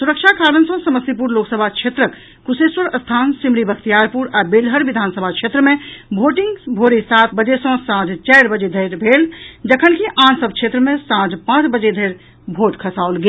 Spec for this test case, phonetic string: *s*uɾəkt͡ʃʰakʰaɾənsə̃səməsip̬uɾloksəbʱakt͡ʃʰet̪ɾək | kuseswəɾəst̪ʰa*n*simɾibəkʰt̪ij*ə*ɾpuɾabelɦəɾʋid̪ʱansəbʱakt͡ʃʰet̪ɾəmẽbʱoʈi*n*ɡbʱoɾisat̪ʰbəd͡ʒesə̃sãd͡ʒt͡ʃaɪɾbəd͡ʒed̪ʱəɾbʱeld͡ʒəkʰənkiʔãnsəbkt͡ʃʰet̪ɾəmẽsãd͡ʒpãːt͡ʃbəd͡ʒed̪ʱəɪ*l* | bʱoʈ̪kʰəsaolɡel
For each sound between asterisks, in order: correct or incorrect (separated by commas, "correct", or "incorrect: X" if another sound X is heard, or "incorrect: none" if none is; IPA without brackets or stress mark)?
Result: correct, correct, incorrect: a, incorrect: ŋ, incorrect: ɾ